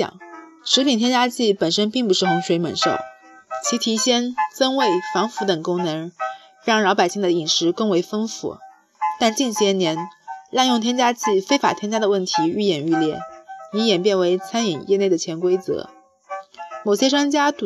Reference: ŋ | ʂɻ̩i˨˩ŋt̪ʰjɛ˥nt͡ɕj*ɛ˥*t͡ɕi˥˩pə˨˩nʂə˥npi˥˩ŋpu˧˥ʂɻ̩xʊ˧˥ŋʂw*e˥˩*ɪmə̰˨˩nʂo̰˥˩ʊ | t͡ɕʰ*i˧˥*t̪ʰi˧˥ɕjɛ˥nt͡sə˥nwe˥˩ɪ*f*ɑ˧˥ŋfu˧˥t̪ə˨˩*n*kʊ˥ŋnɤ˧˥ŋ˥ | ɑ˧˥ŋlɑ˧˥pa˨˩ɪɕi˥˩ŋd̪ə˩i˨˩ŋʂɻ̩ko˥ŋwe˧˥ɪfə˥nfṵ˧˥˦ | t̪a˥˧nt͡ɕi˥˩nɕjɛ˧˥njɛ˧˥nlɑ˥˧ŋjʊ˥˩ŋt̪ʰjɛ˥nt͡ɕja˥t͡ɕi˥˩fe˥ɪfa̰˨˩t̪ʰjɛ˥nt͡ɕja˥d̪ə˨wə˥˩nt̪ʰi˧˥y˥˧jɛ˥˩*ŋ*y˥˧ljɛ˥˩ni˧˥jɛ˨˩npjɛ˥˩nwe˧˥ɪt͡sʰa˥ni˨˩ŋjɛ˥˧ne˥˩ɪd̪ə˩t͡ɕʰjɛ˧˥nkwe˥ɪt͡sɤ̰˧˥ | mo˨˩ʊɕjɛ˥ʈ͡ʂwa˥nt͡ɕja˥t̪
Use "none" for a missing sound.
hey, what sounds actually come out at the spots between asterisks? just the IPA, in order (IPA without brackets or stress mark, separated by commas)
a˥, e˧˥, i˧˥, f, ŋ, n